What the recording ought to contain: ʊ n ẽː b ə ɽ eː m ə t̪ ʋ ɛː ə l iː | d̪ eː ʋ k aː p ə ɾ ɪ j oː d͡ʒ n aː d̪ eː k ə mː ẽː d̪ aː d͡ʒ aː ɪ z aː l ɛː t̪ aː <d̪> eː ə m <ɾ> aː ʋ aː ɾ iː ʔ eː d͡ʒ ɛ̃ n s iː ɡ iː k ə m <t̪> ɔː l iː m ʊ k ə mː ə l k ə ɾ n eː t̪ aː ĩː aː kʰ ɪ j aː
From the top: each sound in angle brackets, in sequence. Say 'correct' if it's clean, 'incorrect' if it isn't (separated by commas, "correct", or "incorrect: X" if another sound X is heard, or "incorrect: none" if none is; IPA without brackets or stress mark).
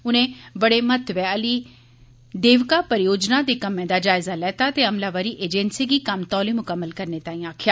incorrect: t̪, incorrect: l, correct